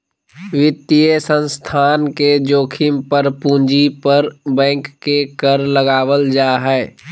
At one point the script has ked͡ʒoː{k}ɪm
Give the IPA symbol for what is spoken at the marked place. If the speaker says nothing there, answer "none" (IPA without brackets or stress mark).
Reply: kʰ